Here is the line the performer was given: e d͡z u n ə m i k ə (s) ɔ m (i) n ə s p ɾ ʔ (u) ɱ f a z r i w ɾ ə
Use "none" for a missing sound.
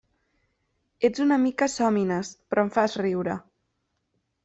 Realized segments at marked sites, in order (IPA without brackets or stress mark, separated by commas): s, i, ɔ